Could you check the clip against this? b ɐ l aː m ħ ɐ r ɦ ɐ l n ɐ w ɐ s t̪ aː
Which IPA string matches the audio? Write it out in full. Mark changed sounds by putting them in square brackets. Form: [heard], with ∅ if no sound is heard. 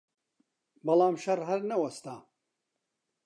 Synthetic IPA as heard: b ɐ l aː m [ʃ] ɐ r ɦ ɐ [ɾ] n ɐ w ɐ s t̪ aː